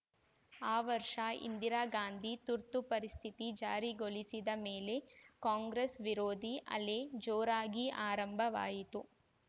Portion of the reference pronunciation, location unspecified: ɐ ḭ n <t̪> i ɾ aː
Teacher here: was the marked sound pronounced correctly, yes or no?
no